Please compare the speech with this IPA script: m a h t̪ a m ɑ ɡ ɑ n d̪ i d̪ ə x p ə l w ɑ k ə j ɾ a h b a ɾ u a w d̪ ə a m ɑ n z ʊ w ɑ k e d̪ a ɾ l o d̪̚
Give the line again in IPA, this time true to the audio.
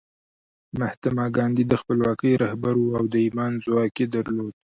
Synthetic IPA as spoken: m a h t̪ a m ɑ ɡ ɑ n d̪ i d̪ ə x p ə l w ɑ k ə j ɾ a h b a ɾ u a w d̪ ə i m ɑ n z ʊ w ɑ k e d̪ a ɾ l o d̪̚